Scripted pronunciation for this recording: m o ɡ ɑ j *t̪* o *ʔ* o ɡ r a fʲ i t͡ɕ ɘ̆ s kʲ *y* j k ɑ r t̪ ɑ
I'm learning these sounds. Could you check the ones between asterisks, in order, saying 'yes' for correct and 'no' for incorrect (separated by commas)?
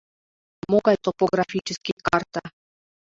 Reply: yes, no, no